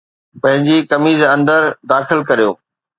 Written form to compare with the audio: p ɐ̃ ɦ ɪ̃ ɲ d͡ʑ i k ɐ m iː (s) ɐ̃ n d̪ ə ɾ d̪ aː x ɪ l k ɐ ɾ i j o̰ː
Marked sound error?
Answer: yes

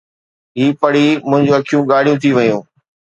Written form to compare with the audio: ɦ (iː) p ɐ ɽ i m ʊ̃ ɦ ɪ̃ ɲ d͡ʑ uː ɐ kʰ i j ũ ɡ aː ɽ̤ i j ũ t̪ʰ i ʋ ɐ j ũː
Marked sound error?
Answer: no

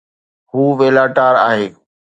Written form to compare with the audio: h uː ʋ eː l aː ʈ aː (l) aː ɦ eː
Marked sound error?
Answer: yes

